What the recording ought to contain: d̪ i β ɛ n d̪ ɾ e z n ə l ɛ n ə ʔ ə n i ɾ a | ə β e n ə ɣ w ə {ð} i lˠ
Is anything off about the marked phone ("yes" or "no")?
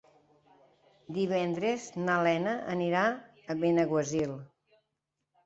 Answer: yes